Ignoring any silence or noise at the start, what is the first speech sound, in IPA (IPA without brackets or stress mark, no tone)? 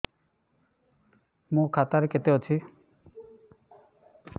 m